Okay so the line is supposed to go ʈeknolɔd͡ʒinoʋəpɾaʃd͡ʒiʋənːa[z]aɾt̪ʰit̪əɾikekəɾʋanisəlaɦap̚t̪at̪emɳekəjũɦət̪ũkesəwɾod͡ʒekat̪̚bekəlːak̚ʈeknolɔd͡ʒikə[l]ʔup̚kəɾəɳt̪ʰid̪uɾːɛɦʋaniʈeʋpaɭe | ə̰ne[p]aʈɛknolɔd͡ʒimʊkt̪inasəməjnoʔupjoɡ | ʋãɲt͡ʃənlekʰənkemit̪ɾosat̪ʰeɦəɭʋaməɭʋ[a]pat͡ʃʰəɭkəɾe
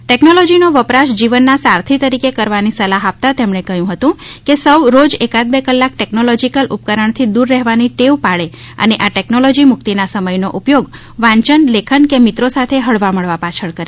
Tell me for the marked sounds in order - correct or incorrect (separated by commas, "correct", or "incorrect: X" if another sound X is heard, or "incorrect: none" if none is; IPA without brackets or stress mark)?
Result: incorrect: s, correct, incorrect: ʔ, correct